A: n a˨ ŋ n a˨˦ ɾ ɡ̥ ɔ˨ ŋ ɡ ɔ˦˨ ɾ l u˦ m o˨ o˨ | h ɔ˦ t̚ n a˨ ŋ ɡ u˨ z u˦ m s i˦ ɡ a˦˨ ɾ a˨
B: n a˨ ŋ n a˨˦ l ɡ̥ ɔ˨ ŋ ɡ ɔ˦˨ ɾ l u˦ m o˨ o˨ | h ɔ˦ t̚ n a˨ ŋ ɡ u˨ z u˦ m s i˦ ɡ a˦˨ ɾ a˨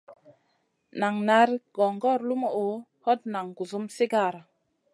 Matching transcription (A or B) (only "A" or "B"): A